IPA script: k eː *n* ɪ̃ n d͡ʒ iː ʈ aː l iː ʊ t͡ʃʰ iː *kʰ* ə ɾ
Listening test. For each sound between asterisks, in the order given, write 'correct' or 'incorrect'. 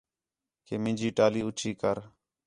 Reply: incorrect: m, incorrect: k

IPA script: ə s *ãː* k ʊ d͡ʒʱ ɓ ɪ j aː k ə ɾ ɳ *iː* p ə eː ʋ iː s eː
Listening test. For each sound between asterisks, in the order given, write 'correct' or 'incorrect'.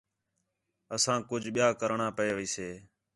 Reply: correct, incorrect: aː

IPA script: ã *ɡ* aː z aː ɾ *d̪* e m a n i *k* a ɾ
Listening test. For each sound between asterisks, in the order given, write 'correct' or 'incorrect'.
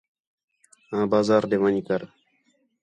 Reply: incorrect: b, correct, correct

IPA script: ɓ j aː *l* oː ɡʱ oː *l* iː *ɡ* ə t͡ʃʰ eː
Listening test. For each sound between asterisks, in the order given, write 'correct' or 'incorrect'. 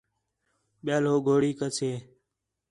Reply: correct, incorrect: ɽ, incorrect: k

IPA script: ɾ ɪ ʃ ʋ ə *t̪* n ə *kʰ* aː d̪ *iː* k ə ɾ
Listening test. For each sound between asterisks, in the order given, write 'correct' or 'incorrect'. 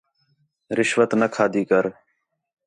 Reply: correct, correct, correct

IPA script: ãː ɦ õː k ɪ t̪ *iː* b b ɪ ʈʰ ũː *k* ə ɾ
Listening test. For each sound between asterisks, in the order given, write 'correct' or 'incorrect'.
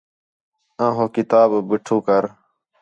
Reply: incorrect: aː, correct

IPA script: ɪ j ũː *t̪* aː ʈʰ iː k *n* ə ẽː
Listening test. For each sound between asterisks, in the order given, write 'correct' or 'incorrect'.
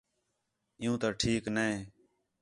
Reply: correct, correct

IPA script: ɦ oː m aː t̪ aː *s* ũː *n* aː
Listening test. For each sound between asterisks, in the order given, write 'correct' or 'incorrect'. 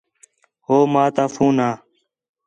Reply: incorrect: f, correct

